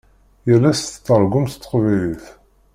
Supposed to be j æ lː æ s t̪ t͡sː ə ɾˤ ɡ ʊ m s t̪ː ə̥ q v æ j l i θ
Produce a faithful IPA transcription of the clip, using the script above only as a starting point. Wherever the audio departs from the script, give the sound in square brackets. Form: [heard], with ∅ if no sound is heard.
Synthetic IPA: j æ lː æ s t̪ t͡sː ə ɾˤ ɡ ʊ m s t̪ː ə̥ q v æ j l i θ